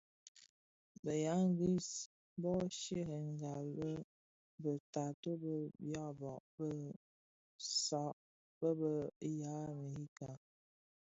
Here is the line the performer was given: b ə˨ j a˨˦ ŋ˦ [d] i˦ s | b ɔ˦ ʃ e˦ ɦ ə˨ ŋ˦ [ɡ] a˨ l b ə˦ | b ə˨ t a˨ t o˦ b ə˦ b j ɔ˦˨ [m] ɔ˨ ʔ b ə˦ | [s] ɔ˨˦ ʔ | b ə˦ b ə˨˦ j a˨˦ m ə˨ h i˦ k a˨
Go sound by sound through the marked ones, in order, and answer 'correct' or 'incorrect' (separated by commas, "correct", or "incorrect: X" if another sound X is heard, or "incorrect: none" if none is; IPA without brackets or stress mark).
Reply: incorrect: ɡ, correct, incorrect: b, correct